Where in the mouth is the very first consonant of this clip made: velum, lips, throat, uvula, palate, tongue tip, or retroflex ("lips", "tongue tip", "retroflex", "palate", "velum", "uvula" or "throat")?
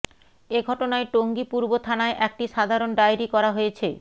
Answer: velum